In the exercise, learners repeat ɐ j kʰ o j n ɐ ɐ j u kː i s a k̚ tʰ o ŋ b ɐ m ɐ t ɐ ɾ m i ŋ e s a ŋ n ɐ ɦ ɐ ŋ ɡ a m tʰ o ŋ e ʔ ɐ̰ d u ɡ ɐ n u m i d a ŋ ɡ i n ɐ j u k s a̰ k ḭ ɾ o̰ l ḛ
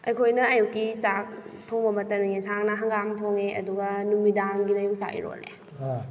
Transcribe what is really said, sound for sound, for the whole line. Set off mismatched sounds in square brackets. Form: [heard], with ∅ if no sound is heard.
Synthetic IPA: ɐ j kʰ o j n ɐ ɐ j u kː i s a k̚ tʰ o ŋ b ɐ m ɐ t ɐ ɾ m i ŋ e s a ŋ n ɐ ɦ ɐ ŋ ɡ a m tʰ o ŋ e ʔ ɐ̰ d u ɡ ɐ n u m i d a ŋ ɡ i n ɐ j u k s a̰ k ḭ ɾ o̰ l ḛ